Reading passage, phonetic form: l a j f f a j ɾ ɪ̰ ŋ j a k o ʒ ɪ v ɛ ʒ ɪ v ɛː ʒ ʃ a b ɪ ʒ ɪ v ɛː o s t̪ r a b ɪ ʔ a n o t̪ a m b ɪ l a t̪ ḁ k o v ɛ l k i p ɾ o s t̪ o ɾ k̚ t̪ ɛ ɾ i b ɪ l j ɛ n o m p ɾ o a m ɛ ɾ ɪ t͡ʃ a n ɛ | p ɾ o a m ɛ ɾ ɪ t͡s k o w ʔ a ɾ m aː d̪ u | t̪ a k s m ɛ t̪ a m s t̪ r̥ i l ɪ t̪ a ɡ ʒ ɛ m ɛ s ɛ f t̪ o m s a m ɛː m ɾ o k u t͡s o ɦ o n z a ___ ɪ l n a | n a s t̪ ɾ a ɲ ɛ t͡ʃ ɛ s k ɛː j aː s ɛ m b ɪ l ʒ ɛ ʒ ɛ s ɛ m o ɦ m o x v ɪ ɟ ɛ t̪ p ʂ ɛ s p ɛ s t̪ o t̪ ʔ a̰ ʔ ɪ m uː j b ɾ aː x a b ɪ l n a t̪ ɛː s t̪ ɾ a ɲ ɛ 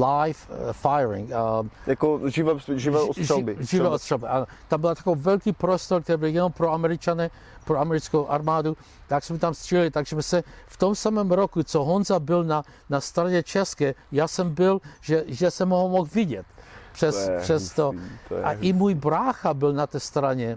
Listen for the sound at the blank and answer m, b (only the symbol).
b